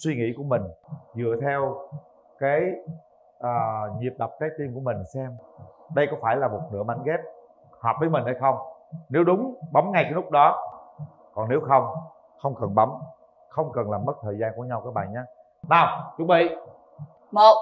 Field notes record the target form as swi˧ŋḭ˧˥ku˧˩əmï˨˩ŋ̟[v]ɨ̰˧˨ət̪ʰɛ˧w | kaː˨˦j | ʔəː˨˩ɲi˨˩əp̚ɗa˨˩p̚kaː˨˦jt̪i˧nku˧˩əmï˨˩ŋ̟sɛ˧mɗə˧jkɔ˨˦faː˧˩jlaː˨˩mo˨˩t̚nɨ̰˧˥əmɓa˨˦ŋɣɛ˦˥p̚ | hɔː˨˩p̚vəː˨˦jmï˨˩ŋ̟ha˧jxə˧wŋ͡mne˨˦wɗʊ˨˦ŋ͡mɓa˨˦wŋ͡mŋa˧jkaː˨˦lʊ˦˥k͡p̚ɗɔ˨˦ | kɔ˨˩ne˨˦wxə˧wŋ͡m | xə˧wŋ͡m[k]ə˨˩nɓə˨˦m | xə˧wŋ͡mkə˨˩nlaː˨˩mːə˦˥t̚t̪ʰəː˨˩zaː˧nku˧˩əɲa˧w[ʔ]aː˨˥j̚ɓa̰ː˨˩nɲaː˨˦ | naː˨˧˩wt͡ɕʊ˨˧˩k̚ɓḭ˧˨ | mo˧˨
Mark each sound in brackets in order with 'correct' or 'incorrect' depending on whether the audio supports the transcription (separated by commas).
incorrect, correct, incorrect